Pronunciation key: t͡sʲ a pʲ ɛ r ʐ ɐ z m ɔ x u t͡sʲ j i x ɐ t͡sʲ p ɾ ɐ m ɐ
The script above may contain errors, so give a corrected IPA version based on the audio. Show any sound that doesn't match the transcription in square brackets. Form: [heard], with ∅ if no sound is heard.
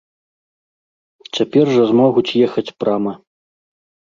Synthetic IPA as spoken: t͡sʲ a pʲ ɛ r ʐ ɐ z m ɔ [ɣ] u t͡sʲ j [ɛ] x ɐ t͡sʲ p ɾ [a] m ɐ